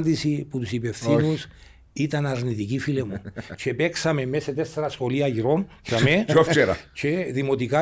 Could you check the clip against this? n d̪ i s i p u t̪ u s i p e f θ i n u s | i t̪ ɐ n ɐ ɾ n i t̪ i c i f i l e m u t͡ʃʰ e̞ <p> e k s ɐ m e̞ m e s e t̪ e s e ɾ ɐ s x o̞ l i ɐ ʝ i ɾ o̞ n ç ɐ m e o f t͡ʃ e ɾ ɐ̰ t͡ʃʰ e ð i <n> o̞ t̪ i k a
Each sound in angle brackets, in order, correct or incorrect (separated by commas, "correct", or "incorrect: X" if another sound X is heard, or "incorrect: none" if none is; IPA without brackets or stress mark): correct, incorrect: m